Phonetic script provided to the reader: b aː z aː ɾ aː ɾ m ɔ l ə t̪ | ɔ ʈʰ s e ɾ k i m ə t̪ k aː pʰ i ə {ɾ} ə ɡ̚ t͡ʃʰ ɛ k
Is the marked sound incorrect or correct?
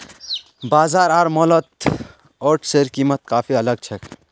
incorrect: l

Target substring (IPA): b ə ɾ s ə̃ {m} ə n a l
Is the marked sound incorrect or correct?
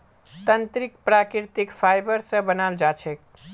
incorrect: b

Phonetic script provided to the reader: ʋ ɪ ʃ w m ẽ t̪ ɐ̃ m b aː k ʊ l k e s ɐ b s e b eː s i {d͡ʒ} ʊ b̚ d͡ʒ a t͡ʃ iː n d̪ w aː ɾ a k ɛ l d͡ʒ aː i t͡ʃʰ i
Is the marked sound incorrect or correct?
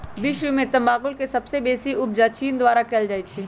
incorrect: none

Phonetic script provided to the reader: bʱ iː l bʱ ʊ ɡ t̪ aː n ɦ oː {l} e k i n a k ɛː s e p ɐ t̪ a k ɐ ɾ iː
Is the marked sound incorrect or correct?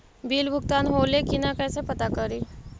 correct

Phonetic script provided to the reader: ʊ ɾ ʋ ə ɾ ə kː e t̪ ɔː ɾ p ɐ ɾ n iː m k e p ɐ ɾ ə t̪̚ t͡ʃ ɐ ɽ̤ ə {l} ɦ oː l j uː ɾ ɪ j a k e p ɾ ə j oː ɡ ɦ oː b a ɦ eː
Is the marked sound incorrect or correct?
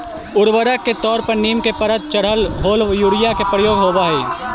correct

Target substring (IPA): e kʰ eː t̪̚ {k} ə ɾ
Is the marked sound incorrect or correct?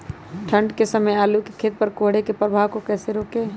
incorrect: p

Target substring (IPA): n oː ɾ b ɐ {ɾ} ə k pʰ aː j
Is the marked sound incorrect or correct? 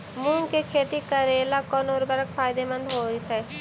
correct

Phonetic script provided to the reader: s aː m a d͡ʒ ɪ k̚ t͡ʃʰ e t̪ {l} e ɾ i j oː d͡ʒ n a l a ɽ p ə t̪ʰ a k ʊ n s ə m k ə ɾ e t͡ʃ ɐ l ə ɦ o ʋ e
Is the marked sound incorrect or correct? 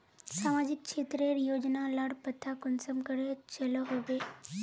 incorrect: ɾ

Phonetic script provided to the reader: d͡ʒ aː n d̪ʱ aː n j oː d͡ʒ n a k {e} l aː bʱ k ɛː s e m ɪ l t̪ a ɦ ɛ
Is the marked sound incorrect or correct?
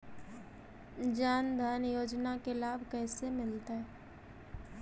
correct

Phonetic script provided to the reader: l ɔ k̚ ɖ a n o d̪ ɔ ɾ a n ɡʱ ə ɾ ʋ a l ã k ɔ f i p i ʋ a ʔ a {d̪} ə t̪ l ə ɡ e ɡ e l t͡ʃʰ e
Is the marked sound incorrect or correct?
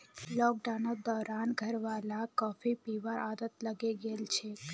correct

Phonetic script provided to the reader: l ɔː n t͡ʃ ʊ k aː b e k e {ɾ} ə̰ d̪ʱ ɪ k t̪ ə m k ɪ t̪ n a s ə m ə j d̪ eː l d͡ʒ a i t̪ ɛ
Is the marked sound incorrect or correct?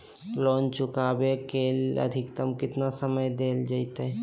incorrect: l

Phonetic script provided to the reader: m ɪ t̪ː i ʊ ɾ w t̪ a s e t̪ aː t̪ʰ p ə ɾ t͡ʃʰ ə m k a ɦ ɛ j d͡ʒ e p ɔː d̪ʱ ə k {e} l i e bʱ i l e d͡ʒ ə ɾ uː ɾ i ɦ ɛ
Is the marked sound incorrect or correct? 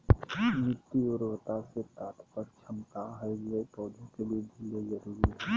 correct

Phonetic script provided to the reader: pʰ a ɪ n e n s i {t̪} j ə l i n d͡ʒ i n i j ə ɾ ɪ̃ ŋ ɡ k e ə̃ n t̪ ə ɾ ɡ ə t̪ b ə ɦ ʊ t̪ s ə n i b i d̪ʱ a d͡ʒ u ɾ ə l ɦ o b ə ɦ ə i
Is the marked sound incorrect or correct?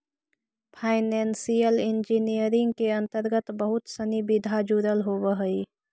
incorrect: none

